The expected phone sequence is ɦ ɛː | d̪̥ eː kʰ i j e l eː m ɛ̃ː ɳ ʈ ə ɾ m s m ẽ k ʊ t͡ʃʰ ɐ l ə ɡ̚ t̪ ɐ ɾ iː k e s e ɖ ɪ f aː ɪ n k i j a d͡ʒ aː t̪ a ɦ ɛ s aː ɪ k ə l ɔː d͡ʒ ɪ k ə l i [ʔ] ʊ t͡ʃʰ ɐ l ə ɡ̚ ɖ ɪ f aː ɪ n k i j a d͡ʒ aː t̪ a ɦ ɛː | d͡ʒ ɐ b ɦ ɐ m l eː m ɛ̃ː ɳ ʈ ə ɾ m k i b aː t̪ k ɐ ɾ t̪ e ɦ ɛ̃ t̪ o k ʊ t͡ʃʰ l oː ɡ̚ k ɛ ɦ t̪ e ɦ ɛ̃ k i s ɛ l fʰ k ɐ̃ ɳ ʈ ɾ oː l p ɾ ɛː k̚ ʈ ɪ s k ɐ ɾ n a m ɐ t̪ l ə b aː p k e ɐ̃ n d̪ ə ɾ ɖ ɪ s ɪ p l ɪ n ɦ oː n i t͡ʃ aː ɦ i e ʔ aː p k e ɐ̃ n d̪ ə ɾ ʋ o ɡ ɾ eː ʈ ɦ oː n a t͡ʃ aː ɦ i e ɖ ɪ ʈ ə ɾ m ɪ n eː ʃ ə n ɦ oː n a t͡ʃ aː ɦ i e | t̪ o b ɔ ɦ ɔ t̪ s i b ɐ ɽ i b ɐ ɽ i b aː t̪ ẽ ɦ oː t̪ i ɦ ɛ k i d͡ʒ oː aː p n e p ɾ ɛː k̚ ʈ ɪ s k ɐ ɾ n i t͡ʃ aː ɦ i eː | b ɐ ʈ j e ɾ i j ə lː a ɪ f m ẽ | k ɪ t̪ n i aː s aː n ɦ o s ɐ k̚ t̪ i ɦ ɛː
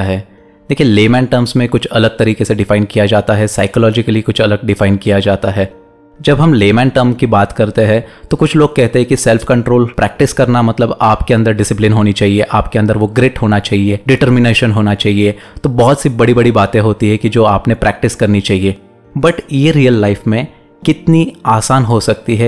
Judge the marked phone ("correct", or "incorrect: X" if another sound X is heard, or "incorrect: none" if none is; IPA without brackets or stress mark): incorrect: k